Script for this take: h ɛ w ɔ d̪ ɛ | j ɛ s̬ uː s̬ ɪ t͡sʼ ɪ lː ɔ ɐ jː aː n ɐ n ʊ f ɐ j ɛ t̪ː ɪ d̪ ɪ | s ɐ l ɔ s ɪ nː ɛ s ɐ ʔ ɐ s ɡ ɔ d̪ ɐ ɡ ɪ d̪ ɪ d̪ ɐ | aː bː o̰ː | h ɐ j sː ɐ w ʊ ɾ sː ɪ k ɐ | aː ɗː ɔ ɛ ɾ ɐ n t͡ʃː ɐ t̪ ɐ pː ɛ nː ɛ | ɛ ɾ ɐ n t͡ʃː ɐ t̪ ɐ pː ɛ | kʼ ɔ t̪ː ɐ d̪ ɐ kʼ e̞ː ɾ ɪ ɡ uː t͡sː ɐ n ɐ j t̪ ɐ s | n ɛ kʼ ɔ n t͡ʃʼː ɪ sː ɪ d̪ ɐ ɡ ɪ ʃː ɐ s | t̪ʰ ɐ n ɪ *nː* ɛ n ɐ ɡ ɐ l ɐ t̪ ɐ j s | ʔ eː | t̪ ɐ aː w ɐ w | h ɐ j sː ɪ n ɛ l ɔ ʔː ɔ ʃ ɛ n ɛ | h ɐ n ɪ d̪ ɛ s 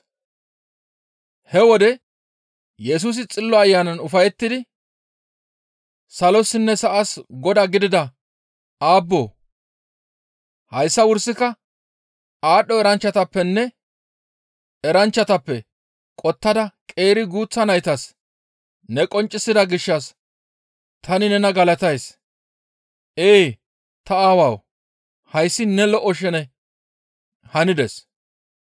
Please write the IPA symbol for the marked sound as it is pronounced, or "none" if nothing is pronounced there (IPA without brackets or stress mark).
n